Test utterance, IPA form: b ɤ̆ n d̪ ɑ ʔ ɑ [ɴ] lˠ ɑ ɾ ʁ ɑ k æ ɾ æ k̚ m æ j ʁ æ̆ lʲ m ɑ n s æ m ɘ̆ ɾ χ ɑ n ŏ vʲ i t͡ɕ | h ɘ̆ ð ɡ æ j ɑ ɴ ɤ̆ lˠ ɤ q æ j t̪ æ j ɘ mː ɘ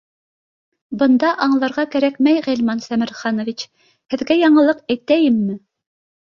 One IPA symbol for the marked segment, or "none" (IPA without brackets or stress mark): ɴ